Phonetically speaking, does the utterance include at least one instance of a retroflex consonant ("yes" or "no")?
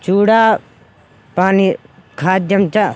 yes